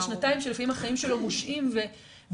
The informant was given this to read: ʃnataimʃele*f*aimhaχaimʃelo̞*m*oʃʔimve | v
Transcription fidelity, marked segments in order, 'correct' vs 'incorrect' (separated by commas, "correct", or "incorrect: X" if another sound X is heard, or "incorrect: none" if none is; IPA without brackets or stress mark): correct, correct